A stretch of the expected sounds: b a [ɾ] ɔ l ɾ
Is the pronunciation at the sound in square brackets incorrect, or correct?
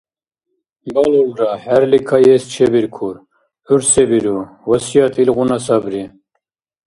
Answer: incorrect